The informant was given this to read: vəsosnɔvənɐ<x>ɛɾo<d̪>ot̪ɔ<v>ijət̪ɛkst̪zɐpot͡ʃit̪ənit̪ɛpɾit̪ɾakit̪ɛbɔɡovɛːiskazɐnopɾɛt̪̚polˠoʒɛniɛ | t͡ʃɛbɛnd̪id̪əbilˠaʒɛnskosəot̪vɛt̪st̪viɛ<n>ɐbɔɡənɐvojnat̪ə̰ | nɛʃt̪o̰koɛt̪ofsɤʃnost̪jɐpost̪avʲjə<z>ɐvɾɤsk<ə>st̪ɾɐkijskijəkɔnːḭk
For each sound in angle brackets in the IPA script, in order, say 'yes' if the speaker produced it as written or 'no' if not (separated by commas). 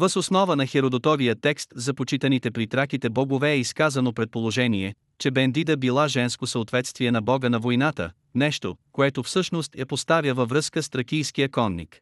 yes, yes, yes, yes, no, yes